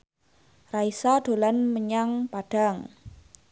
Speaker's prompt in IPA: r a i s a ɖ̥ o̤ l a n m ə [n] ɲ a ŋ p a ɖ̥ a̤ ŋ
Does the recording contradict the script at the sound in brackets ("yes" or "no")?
yes